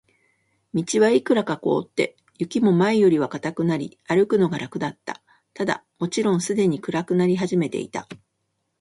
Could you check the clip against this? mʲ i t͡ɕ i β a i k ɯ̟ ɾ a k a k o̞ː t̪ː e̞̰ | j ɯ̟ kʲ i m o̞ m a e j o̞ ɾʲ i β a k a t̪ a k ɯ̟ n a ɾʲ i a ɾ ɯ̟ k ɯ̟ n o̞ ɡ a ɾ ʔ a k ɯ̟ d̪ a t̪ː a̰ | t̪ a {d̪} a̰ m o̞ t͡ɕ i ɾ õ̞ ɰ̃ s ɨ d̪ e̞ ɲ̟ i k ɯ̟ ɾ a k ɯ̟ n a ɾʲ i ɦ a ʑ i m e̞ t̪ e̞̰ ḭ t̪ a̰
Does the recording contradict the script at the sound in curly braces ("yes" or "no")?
no